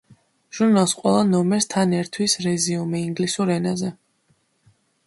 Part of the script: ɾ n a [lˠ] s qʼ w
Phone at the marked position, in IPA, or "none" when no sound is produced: lˠ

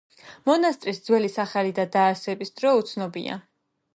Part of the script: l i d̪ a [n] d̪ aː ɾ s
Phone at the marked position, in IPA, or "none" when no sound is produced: none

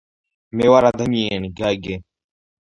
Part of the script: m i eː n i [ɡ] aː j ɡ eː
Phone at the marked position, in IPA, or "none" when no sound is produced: ɡ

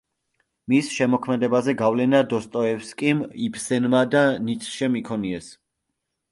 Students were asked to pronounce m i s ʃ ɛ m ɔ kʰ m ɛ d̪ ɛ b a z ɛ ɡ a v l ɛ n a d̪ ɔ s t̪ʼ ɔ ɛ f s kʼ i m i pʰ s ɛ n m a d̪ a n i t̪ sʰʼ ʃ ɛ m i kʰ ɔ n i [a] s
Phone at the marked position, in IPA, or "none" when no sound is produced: ɛ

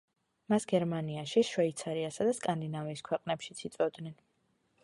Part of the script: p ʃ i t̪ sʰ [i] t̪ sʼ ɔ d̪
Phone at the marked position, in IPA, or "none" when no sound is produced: i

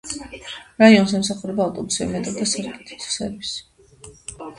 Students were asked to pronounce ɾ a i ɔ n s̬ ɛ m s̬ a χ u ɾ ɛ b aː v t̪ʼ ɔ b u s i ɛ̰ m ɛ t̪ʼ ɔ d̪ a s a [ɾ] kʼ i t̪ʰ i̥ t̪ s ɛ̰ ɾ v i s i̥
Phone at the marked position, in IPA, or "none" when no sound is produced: ɾ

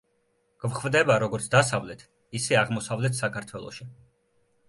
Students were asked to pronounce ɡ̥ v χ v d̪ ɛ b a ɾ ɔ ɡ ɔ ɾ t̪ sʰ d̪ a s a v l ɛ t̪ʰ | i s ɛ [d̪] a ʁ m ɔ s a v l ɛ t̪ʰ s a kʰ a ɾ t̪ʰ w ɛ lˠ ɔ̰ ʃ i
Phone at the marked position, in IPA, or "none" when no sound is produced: none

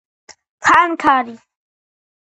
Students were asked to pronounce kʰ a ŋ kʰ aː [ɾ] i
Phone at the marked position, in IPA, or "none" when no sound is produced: ɾ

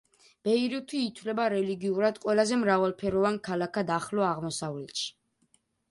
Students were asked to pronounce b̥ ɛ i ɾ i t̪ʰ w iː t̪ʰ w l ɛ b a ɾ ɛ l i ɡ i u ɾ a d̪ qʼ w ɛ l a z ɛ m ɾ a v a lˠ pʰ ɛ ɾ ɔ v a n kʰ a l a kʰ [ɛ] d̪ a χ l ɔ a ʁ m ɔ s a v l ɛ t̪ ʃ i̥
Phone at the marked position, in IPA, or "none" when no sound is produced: a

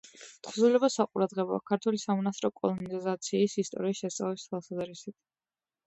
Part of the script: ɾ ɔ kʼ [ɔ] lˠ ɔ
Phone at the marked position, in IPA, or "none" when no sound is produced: ɔ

